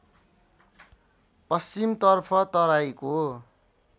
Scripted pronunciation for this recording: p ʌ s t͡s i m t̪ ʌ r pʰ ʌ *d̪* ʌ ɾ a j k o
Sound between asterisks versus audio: incorrect: t̪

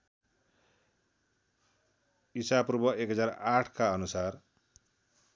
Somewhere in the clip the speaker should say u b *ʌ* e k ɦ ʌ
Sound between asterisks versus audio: correct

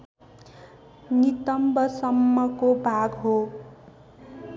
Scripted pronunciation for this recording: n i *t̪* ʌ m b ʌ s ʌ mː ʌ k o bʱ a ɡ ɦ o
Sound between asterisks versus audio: correct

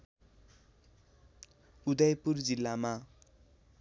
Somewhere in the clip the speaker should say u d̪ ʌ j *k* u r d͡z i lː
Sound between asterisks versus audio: incorrect: p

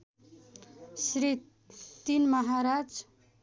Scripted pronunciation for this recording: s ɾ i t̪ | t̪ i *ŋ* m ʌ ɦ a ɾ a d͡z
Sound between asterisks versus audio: incorrect: n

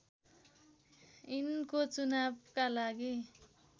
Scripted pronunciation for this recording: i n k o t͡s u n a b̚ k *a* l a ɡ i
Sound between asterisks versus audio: correct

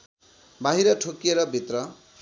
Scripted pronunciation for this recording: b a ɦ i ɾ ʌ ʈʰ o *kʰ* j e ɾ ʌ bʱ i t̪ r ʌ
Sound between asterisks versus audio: incorrect: k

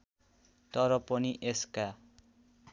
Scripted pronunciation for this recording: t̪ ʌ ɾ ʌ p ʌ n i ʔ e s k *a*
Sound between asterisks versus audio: correct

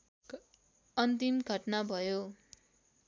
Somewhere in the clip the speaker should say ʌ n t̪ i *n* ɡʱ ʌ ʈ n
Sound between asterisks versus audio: incorrect: m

